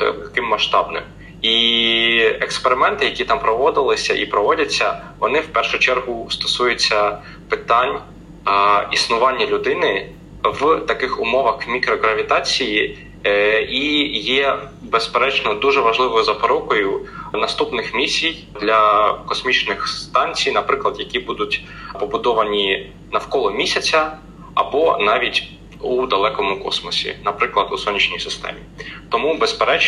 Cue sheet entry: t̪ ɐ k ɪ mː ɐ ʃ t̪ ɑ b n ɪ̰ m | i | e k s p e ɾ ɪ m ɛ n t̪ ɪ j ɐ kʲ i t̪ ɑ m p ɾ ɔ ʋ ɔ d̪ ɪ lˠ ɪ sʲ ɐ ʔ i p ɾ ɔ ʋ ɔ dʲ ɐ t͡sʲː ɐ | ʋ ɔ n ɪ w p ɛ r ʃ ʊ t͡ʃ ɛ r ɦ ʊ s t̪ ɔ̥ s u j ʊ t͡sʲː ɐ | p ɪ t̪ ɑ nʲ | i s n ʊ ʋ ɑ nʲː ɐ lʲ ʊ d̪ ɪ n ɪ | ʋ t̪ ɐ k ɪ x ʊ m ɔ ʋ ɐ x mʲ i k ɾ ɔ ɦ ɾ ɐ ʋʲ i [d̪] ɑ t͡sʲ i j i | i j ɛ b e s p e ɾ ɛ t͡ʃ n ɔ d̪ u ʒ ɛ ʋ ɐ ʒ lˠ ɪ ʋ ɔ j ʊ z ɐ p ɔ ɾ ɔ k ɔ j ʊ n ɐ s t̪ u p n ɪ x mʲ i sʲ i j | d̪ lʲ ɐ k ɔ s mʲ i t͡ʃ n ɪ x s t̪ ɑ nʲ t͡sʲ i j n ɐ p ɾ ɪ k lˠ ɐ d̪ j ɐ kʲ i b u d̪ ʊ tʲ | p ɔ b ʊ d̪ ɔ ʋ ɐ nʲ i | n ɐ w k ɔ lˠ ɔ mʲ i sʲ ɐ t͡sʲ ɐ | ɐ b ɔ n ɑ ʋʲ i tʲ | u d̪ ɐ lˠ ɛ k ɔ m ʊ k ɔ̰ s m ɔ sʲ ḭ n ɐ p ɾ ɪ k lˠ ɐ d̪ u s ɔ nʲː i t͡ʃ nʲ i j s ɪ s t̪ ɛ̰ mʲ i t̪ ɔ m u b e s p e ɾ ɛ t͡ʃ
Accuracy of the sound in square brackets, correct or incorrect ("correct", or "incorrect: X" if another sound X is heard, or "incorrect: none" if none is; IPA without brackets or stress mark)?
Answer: incorrect: t̪